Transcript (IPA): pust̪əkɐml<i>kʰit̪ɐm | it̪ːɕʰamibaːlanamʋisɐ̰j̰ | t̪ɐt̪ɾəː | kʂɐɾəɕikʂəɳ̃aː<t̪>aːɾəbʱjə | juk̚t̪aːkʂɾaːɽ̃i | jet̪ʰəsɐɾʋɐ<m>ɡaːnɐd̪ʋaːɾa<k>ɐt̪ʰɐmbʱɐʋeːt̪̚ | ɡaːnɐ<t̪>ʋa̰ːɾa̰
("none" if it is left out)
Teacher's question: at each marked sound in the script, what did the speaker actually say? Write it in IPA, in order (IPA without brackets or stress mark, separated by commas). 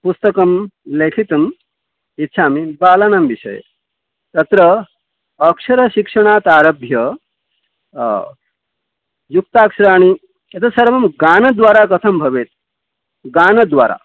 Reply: e, t̪, m, k, d̪